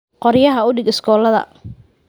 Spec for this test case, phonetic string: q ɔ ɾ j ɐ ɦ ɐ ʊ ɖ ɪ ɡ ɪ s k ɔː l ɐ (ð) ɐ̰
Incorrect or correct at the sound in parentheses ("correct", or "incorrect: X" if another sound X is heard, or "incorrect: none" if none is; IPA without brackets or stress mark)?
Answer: correct